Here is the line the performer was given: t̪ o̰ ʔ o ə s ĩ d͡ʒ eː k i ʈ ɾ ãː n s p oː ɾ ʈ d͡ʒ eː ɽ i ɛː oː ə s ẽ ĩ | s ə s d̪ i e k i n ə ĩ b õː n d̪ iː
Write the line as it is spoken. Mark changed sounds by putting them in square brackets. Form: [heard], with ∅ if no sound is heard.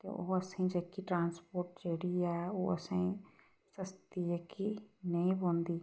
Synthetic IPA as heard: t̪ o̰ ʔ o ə s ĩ d͡ʒ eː k i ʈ ɾ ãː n s p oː ɾ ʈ d͡ʒ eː ɽ i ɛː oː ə s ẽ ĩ | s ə s [t̪] i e k i n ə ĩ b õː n d̪ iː